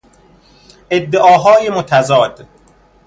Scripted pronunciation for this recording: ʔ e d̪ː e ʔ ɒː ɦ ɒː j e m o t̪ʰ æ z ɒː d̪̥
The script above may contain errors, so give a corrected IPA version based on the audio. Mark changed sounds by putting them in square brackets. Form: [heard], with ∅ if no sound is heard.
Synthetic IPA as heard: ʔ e d̪ː e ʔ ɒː ɦ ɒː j e m o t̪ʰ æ z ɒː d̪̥